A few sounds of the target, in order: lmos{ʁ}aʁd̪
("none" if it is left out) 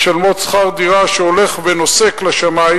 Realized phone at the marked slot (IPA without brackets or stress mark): χ